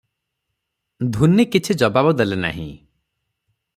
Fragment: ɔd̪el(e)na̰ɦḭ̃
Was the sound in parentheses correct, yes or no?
yes